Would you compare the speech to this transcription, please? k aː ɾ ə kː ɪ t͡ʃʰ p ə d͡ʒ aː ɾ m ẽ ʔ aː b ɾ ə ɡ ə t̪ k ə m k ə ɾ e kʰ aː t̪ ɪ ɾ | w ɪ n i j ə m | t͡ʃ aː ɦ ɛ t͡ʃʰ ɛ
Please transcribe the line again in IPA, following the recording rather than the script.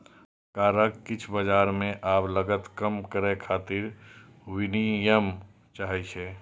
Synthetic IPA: k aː ɾ ə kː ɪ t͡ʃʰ b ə d͡ʒ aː ɾ m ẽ ʔ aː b l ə ɡ ə t̪ k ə m k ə ɾ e kʰ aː t̪ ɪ ɾ | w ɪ n i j ə m | t͡ʃ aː ɦ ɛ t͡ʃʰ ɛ